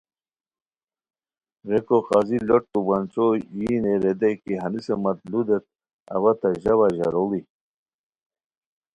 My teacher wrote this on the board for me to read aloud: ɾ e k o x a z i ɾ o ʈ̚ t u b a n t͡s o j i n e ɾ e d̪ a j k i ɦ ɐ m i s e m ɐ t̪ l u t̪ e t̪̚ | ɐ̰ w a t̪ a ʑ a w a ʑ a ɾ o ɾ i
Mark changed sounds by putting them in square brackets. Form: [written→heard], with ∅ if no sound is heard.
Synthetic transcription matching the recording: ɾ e k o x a z i [ɾ→l] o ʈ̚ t u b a n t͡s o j i n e ɾ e d̪ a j k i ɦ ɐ [m→n] i s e m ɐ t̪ l u [t̪→d̪] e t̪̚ | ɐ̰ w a t̪ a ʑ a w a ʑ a ɾ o [ɾ→l] i